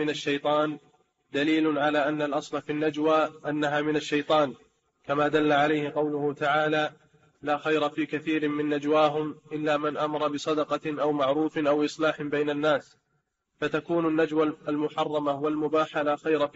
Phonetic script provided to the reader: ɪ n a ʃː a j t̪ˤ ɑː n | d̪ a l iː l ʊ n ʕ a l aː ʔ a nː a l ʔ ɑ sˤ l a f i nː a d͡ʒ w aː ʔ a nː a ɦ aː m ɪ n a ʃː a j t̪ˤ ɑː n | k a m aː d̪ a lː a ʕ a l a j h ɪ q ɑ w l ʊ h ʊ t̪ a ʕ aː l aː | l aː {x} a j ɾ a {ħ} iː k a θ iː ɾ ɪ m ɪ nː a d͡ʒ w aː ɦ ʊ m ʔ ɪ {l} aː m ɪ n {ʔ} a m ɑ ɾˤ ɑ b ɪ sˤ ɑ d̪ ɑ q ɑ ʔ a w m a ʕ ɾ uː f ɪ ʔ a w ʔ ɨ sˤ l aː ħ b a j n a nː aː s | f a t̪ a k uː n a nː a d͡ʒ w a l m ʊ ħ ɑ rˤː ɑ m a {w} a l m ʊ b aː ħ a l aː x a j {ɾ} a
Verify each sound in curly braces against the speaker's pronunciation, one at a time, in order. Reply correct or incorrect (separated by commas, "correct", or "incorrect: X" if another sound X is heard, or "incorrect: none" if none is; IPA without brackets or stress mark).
correct, incorrect: f, incorrect: lː, correct, correct, correct